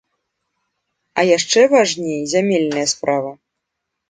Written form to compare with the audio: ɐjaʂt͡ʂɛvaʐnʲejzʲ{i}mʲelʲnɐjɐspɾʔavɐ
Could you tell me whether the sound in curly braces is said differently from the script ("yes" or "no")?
yes